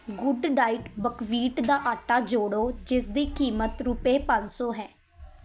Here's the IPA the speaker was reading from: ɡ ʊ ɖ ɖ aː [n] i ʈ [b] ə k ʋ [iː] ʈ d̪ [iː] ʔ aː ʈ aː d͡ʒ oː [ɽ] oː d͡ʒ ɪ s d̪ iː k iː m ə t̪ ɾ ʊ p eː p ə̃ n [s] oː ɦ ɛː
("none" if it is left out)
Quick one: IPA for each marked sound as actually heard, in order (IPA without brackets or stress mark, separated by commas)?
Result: none, b, iː, aː, ɽ, s